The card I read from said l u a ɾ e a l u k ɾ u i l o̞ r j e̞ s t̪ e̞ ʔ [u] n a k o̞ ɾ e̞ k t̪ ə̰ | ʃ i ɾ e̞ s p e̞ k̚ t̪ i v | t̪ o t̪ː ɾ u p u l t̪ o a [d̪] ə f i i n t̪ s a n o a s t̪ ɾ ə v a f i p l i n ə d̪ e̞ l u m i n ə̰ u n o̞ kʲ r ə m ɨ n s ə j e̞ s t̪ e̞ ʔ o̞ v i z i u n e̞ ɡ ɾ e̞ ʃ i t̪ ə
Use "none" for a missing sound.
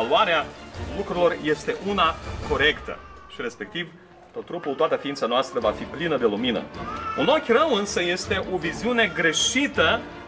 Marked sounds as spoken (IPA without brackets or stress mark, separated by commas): u, t̪